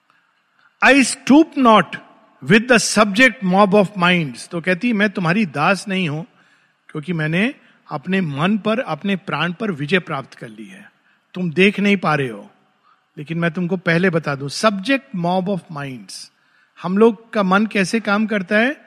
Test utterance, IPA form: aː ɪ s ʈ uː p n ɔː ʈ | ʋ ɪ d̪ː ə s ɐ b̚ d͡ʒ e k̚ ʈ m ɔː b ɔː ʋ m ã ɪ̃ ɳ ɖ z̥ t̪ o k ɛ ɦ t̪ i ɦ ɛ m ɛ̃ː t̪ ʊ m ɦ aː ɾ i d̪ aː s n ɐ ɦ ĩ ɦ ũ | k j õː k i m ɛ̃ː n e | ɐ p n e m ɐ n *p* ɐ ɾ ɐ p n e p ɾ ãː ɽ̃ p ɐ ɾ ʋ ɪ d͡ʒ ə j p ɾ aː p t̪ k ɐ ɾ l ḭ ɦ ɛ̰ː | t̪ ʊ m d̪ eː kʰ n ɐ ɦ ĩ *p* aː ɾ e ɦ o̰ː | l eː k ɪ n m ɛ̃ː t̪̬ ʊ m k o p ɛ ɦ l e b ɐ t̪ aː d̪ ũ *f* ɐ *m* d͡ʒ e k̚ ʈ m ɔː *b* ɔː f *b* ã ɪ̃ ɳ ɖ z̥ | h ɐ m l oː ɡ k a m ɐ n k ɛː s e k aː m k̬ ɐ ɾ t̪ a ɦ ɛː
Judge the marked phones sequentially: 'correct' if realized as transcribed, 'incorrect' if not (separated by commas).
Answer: correct, correct, incorrect, incorrect, correct, incorrect